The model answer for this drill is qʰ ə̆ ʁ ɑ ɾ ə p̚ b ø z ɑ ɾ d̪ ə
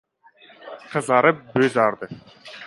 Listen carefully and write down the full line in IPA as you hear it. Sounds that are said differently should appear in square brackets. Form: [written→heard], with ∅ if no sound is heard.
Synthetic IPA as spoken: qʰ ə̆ [ʁ→z] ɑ ɾ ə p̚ b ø z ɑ ɾ d̪ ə